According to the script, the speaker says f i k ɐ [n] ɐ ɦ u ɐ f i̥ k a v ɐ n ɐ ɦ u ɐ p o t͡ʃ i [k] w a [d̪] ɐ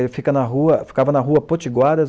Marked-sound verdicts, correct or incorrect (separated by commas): correct, incorrect, correct